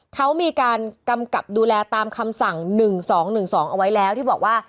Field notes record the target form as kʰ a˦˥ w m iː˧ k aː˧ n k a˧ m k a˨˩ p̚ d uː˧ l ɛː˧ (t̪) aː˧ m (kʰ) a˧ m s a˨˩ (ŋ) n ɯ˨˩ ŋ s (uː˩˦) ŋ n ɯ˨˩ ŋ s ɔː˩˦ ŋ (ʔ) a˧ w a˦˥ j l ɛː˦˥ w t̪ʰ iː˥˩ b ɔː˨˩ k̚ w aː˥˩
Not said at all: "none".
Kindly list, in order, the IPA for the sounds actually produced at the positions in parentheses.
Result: t̪, kʰ, ŋ, ɔː˩˦, ʔ

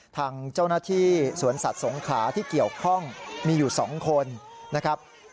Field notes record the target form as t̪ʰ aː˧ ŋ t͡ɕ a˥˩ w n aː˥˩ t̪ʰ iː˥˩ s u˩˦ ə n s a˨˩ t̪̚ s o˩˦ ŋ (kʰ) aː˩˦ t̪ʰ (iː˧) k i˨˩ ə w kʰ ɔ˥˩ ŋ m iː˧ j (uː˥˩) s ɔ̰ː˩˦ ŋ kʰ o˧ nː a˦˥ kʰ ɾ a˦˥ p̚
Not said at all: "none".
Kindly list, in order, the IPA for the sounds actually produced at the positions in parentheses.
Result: kʰ, iː˥˩, uː˨˩

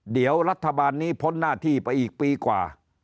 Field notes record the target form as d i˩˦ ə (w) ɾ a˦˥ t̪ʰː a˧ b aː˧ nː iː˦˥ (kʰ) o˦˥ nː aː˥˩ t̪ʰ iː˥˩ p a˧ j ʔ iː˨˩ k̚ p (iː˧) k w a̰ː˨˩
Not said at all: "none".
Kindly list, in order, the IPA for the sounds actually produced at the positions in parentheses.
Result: w, pʰ, iː˧

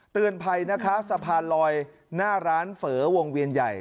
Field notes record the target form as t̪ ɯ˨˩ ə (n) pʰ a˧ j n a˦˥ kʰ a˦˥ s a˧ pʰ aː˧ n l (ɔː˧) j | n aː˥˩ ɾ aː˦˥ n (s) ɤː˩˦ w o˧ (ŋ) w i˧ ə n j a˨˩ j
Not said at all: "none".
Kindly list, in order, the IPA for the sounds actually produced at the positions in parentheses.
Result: n, ɔː˧, f, ŋ

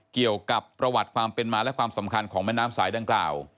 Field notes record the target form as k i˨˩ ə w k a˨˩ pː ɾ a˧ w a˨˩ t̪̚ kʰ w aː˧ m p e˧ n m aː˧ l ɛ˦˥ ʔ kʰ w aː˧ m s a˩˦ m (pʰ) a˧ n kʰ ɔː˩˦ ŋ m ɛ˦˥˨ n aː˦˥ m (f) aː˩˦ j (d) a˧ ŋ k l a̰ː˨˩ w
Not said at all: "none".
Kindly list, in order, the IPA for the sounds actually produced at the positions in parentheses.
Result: kʰ, s, d

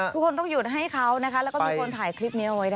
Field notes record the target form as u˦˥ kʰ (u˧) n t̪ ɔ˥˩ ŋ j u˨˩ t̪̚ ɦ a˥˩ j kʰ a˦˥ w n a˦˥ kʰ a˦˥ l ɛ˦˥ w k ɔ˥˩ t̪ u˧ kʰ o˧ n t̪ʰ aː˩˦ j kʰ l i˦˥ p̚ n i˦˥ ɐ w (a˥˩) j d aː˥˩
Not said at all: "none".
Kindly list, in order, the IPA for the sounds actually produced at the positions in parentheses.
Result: o˧, a˦˥

